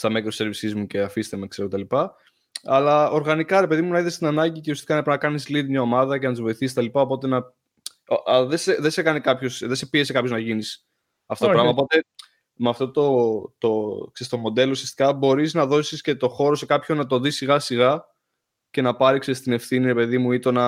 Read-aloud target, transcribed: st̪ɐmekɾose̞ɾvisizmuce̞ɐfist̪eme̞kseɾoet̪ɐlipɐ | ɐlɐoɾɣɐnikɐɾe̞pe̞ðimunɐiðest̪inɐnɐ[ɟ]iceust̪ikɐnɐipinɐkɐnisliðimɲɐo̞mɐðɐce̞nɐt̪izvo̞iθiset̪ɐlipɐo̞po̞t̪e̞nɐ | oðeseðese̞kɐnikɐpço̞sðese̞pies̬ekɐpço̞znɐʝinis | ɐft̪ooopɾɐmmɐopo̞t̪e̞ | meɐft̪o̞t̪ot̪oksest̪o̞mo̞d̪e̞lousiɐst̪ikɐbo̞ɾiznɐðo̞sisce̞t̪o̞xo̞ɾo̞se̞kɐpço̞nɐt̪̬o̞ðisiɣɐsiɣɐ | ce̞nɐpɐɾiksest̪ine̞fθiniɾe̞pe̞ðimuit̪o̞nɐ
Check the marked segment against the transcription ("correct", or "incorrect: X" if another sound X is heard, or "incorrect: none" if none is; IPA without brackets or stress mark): correct